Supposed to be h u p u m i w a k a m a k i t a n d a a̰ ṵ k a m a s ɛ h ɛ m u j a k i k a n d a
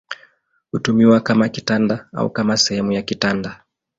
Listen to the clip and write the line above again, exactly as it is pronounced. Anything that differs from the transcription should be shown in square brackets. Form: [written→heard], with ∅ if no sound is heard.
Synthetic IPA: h u [p→t] u m i w a k a m a k i t a n d a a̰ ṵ k a m a s ɛ h ɛ m u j a k i [k→t] a n d a